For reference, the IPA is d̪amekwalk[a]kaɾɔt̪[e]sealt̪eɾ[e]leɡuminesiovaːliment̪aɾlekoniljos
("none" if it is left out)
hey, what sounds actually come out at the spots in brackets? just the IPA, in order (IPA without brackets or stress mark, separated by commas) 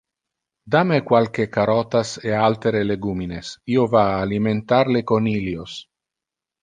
e, a, e